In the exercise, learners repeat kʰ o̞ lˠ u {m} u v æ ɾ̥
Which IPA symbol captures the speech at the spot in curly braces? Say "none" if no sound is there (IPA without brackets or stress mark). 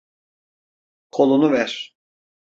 n